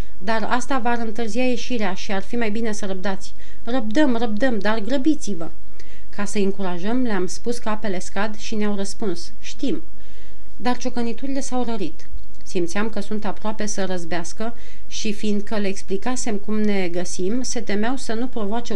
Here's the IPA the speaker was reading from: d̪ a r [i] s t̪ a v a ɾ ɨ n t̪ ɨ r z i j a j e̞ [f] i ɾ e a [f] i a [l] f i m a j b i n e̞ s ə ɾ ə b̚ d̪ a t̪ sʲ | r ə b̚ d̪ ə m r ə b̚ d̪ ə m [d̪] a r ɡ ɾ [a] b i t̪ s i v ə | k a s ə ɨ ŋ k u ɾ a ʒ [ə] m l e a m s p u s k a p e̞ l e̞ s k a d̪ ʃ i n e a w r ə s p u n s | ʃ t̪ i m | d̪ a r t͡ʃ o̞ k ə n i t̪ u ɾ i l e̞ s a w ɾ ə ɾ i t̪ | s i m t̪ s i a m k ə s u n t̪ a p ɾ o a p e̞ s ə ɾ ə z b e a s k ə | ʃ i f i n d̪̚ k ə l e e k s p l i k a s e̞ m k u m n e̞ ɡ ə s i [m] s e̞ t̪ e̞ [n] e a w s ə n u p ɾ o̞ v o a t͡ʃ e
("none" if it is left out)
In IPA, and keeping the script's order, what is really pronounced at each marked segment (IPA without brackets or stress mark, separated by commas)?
a, ʃ, ʃ, r, d̪, ə, ə, m, m